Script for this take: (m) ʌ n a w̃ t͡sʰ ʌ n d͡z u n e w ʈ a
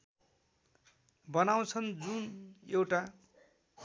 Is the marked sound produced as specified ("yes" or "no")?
no